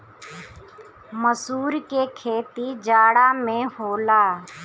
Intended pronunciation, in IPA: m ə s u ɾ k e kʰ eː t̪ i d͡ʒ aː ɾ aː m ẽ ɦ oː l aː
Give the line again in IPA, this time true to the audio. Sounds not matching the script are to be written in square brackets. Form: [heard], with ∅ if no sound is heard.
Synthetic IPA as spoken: m ə s [uː] ɾ k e kʰ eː t̪ i d͡ʒ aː [ɽ] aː m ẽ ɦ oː l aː